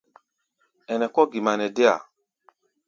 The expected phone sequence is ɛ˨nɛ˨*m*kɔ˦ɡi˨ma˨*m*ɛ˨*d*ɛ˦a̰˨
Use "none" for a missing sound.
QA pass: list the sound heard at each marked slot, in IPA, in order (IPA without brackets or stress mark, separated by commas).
none, n, d